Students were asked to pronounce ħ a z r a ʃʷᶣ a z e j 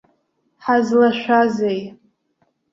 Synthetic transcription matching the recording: ħ a z l a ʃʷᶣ a z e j